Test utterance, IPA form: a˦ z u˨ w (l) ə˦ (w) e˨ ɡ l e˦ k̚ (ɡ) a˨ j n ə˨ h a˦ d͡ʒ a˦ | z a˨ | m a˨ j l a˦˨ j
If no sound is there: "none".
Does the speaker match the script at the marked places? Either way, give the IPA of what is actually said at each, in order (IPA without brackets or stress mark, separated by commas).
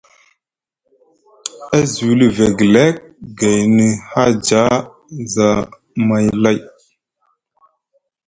l, v, ɡ